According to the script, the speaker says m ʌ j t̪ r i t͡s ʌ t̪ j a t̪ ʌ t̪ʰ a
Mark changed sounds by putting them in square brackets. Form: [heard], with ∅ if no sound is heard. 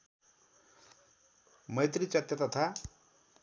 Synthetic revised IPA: m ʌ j t̪ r i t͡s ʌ t̪ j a t̪ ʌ t̪ʰ a